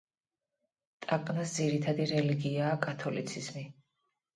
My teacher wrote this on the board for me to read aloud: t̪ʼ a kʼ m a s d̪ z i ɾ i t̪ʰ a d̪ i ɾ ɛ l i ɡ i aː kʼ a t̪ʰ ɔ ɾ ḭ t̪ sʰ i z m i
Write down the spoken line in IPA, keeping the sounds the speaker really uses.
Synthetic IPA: t̪ʼ a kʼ n a s d̪ z i ɾ i t̪ʰ a d̪ i ɾ ɛ l i ɡ i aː kʼ a t̪ʰ ɔ l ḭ t̪ sʰ i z m i